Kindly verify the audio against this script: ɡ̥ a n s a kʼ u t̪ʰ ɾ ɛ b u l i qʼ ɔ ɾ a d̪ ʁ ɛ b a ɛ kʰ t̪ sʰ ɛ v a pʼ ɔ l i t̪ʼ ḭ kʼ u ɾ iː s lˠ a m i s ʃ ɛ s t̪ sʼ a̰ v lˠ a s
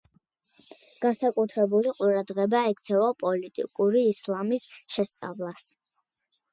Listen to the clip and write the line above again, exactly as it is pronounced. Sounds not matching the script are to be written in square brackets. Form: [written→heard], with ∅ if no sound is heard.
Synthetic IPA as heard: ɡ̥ a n s a kʼ u t̪ʰ ɾ ɛ b u l i qʼ [ɔ→u] ɾ a d̪ ʁ ɛ b a ɛ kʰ t̪ sʰ ɛ v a pʼ ɔ l i t̪ʼ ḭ kʼ u ɾ iː s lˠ a m i s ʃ ɛ s t̪ sʼ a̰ v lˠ a s